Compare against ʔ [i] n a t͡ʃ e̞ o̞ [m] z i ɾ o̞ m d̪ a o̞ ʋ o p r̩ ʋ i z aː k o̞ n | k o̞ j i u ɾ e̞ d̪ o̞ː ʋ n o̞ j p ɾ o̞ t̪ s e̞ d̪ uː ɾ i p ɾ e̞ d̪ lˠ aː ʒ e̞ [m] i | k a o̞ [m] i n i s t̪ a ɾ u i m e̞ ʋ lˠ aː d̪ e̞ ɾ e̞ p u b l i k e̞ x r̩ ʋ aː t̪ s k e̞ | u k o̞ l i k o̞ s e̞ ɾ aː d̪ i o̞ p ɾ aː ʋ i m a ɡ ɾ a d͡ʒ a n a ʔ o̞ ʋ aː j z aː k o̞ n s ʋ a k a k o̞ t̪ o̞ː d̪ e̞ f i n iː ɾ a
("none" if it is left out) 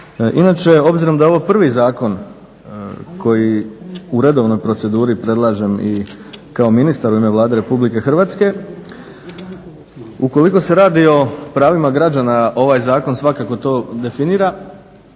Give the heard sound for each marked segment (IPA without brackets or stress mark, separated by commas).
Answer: i, b, m, m